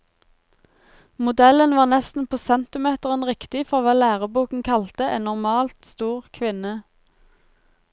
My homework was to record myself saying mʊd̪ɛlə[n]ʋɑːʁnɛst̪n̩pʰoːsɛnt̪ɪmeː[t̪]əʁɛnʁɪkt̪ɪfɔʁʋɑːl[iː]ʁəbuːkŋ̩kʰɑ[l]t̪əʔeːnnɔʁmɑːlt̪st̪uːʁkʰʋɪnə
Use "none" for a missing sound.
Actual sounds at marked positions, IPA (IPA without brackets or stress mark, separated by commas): n, t̪, æː, l